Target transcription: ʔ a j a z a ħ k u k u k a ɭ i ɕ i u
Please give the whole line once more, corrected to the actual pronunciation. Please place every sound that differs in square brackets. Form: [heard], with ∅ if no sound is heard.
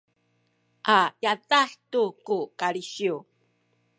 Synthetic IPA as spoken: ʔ a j a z a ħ [t] u k u k a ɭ i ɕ i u